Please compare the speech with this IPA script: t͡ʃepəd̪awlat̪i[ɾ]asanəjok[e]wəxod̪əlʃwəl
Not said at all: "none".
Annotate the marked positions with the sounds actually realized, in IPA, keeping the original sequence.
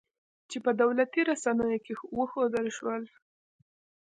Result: ɾ, e

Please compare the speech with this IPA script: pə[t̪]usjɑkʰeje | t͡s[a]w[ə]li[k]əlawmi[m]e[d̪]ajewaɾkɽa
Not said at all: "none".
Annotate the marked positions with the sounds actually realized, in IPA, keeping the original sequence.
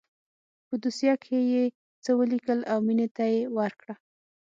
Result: d̪, ə, ə, k, n, t̪

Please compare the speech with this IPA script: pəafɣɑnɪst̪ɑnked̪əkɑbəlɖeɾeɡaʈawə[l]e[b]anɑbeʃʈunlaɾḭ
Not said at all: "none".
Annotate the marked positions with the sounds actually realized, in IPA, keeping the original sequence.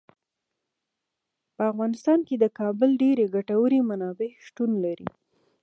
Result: ɾ, m

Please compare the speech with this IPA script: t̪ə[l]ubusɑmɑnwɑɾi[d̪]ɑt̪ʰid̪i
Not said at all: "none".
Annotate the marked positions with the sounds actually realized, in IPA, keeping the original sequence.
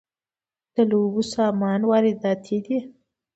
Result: l, d̪

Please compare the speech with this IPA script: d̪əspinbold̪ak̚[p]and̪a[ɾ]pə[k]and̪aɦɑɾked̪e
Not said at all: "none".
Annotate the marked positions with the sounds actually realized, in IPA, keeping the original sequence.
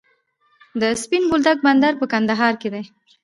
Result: b, ɾ, k

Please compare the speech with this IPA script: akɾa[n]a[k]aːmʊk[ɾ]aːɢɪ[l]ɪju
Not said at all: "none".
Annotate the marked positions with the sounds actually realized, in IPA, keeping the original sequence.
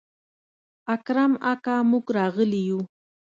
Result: m, k, ɾ, l

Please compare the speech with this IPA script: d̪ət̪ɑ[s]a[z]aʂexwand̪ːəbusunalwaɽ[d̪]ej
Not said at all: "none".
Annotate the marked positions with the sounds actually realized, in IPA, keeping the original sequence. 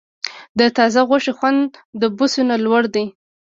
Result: z, ɣ, d̪

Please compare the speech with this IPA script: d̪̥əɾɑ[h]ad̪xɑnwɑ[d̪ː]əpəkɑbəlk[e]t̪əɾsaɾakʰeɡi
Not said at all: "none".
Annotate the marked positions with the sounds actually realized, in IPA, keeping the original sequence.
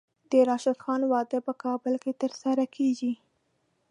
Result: ʃ, d̪, e

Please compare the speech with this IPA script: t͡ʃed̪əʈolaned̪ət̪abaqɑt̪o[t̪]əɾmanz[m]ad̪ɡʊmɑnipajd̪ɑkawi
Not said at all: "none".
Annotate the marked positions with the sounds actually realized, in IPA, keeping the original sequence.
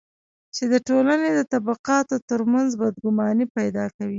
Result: t̪, b

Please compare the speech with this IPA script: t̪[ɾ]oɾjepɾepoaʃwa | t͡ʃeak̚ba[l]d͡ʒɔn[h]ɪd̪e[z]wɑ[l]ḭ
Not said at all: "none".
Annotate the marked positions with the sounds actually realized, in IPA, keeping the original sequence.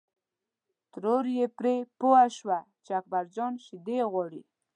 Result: ɾ, ɾ, ʃ, ɣ, ɽ

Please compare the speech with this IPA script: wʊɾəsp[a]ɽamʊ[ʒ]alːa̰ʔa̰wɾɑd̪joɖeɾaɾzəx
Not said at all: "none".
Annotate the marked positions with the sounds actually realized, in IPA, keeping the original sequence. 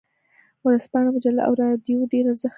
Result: ɑ, d͡ʒ

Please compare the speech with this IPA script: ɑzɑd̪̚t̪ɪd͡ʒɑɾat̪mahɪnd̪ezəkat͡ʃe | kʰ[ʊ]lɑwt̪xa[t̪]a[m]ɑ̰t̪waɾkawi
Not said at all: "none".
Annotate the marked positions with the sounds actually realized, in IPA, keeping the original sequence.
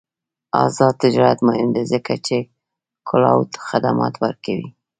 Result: ʊ, d̪, m

